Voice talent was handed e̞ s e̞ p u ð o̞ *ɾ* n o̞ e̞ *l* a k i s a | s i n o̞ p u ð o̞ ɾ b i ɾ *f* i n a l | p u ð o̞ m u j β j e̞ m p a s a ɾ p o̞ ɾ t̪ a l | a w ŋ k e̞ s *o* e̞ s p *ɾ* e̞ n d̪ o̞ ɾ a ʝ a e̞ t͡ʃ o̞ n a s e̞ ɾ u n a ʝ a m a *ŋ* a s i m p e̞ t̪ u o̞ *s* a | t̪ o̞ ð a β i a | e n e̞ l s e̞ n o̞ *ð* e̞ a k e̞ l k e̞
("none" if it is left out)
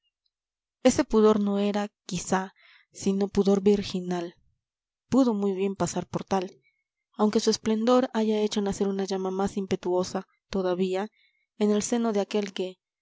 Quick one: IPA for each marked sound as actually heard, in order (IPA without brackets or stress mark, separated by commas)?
ɾ, ɾ, x, u, l, m, s, ð